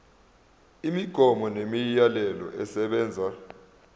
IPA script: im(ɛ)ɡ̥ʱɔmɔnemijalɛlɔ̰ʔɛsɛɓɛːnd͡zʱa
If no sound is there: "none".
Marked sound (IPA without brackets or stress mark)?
i